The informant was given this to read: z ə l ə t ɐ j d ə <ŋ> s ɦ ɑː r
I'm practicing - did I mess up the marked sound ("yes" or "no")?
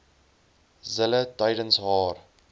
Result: yes